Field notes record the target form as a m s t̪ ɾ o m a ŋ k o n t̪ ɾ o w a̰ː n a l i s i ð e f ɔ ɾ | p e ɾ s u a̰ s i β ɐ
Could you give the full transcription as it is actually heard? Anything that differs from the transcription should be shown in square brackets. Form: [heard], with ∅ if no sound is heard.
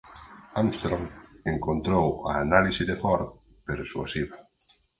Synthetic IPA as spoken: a m s t̪ ɾ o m [e] ŋ k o n t̪ ɾ o w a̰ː n a l i s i ð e f ɔ ɾ | p e ɾ s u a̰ s i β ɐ